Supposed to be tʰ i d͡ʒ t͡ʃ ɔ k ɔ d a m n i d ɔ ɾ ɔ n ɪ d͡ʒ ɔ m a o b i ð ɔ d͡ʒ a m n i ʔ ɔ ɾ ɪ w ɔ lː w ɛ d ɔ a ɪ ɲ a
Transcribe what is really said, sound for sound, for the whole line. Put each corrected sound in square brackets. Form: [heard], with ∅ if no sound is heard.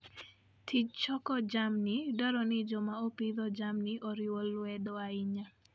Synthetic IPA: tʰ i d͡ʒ t͡ʃ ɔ k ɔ [d͡ʒ] a m n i d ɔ ɾ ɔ n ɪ d͡ʒ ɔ m a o [p] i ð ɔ d͡ʒ a m n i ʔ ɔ ɾ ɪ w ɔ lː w ɛ d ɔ a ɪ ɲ a